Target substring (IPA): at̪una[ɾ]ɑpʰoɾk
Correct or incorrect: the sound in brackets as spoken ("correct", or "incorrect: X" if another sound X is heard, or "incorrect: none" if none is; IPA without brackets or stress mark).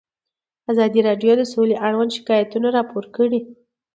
correct